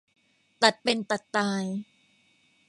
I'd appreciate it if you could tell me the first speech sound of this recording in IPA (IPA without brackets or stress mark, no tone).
t̪